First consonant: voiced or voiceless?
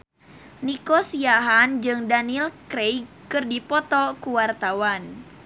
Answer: voiced